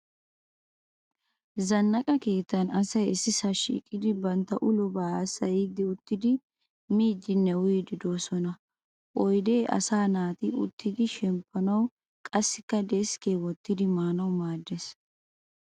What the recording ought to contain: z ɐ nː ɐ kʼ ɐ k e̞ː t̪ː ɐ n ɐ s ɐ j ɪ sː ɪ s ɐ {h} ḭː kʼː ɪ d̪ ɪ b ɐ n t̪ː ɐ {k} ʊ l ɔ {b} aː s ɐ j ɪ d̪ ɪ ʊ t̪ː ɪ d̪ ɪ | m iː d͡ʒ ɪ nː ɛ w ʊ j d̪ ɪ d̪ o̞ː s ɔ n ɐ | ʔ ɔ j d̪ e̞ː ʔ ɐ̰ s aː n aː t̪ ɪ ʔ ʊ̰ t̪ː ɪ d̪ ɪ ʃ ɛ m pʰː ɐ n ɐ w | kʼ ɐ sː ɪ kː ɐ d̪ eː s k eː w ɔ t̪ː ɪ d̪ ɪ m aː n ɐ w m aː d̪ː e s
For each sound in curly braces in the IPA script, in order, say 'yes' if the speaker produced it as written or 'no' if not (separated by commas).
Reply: no, no, yes